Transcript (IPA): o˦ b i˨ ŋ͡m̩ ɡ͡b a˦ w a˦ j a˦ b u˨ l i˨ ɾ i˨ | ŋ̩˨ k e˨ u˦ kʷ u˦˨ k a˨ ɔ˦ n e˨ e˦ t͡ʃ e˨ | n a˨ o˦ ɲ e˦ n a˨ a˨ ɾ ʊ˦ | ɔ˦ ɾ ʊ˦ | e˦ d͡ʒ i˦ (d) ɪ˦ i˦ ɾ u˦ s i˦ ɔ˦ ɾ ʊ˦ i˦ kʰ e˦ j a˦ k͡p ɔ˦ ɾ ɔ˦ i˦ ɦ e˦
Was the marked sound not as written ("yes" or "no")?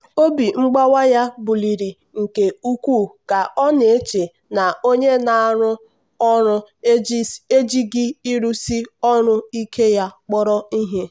yes